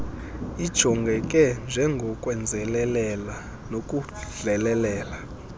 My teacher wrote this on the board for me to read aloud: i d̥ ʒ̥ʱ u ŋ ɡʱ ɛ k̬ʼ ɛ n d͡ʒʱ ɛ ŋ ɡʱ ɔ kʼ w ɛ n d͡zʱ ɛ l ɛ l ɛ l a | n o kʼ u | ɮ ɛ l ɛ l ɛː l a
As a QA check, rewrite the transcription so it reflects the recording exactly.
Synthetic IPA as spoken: i d̥ ʒ̥ʱ ɔ ŋ ɡʱ ɛ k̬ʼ ɛ n d͡ʒʱ ɛ ŋ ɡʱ ɔ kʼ w ɛ n d͡zʱ ɛ l ɛ l ɛ l a | n o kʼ u | ɮ ɛ l ɛ l ɛː l a